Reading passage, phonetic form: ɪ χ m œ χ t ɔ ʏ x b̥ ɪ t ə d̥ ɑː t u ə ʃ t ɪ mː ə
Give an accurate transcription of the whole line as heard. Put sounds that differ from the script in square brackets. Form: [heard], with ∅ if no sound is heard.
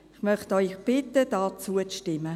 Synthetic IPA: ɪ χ m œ χ t ɔ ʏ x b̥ ɪ t ə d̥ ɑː [t͡s] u ə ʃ t ɪ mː ə